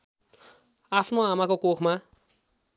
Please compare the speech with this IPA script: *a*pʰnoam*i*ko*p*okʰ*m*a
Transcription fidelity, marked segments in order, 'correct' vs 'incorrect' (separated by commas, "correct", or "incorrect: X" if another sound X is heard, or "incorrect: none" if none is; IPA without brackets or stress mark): correct, incorrect: a, incorrect: k, correct